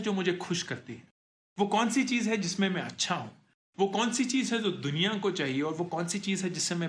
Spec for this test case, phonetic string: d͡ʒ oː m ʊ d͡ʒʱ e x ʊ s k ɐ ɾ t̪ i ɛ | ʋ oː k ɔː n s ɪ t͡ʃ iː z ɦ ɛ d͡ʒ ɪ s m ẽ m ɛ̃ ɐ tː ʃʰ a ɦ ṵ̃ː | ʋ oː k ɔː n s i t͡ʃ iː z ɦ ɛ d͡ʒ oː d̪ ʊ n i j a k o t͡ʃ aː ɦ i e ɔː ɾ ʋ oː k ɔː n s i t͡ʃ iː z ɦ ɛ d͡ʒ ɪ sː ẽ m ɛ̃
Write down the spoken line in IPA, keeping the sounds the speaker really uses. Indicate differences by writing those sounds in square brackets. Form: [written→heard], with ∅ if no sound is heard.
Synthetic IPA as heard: d͡ʒ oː m ʊ d͡ʒʱ e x ʊ [s→ʃ] k ɐ ɾ t̪ i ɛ | ʋ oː k ɔː n s [ɪ→i] t͡ʃ iː z ɦ ɛ d͡ʒ ɪ s m ẽ m ɛ̃ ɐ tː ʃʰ a ɦ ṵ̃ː | ʋ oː k ɔː n s i t͡ʃ iː z ɦ ɛ d͡ʒ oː d̪ ʊ n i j a k o t͡ʃ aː ɦ i e ɔː ɾ ʋ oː k ɔː n s i t͡ʃ iː z ɦ ɛ d͡ʒ ɪ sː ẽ m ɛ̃